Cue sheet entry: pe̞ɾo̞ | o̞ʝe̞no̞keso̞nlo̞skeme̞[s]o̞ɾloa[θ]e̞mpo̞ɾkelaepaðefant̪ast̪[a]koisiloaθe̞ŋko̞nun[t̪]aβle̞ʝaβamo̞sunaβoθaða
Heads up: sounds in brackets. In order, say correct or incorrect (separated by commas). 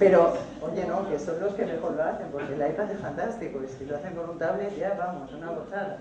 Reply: incorrect, correct, incorrect, correct